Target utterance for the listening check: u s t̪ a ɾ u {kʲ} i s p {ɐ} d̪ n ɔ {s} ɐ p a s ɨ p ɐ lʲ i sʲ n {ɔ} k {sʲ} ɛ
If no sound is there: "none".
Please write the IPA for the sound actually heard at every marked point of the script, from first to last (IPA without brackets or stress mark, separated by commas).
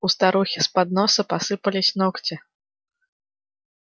xʲ, a, s, ɔ, t͡sʲ